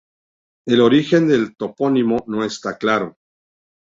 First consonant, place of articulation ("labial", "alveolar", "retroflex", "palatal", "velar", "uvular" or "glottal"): alveolar